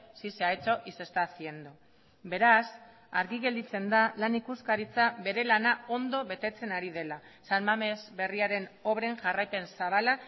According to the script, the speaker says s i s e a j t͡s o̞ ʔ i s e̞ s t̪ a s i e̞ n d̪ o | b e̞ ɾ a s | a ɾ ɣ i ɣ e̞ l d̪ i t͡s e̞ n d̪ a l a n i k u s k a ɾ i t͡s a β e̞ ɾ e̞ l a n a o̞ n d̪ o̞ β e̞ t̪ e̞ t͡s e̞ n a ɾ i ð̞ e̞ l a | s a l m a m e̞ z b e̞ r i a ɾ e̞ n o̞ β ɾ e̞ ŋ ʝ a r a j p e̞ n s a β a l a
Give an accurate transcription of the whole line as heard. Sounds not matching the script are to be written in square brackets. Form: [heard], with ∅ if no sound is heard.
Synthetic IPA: s i s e a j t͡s o̞ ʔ i s e̞ s t̪ a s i e̞ n d̪ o | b e̞ ɾ a s | a ɾ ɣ i ɣ e̞ l d̪ i t͡s e̞ n d̪ a l a n i k u s k a ɾ i t͡s a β e̞ ɾ e̞ l a n a o̞ n d̪ o̞ β e̞ t̪ e̞ t͡s e̞ n a ɾ i ð̞ e̞ l a | s a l m a m e̞ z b e̞ r i a ɾ e̞ n o̞ β ɾ e̞ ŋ ʝ a r a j p e̞ n s a β a l a